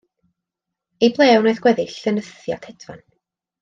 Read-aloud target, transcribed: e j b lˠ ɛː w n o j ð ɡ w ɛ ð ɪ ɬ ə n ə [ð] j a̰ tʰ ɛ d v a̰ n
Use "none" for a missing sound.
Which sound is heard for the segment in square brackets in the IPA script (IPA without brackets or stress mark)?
θ